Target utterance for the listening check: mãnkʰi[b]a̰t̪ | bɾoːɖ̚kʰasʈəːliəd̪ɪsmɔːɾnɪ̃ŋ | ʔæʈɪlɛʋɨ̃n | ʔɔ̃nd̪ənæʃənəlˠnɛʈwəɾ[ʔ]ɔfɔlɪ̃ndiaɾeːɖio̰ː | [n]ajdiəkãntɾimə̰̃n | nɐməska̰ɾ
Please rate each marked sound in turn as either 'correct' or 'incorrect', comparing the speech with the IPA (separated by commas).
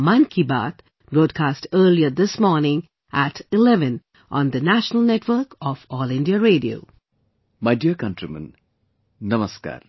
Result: correct, incorrect, incorrect